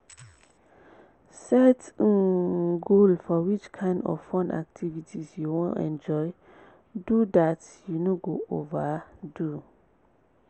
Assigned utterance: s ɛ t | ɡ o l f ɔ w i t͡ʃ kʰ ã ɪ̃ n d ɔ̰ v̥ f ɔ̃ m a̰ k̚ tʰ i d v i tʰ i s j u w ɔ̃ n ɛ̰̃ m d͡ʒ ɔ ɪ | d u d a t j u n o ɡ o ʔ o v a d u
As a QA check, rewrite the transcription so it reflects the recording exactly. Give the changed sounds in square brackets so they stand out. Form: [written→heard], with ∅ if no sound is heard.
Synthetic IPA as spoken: s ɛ t | ɡ o l f ɔ w i t͡ʃ kʰ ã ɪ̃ n d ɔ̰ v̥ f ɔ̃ [m→n] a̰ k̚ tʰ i [d→∅] v i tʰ i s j u w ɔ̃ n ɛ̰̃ [m→n] d͡ʒ ɔ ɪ | d u d a t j u n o ɡ o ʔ o v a d u

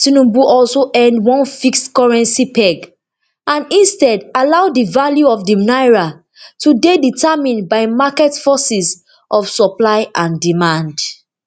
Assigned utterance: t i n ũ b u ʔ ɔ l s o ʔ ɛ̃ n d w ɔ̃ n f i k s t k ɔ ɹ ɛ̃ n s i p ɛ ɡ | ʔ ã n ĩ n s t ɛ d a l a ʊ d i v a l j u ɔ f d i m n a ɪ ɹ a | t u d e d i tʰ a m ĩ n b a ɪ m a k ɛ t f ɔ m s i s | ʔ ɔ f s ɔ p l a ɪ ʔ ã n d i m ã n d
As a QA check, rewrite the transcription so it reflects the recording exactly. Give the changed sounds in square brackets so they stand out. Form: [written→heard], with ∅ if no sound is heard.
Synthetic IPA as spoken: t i n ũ b u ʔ ɔ l s o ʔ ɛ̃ n d w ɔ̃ n f i k s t k ɔ ɹ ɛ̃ n s i p ɛ ɡ | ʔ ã n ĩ n s t ɛ d a l a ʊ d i v a l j u ɔ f d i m n a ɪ ɹ a | t u d e d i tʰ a m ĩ n b a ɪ m a k ɛ t f ɔ [m→∅] s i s | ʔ ɔ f s ɔ p l a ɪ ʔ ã n d i m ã n d

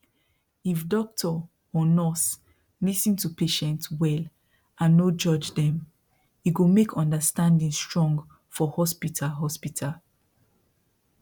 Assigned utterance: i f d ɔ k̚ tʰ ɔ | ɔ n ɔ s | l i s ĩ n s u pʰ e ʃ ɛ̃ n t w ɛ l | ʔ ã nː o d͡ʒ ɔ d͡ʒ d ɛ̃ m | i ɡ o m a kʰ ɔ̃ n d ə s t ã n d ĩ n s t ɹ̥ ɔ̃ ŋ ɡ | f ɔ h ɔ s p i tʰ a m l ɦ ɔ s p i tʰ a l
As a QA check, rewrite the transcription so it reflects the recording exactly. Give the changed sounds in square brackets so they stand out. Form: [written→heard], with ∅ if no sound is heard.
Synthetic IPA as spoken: i f d ɔ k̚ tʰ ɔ | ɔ n ɔ s | l i s ĩ n [s→t] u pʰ e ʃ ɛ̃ n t w ɛ l | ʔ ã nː o d͡ʒ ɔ d͡ʒ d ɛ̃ m | i ɡ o m [a→e] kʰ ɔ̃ n d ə s t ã n d ĩ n s t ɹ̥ ɔ̃ ŋ ɡ | f ɔ h ɔ s p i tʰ a [m→∅] l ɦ ɔ s p i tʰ a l

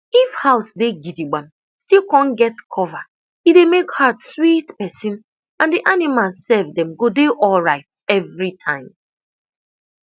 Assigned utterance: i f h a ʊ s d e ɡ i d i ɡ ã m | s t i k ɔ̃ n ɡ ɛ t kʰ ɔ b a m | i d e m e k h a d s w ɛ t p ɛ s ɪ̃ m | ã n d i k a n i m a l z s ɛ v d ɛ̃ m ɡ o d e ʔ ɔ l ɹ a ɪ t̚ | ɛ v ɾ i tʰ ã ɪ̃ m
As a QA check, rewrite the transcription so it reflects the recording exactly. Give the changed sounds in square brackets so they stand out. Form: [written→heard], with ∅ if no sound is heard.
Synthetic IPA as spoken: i f h a ʊ s d e ɡ i d i [ɡ→ɡ͡b] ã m | s t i k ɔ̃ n ɡ ɛ t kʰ ɔ [b→v] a [m→∅] | i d e m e k h a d s w [ɛ→i] t p ɛ s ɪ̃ [m→n] | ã n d i [k→ʔ] a n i m a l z s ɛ v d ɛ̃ m ɡ o d e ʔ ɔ l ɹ a ɪ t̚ | ɛ v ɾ i tʰ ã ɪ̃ m

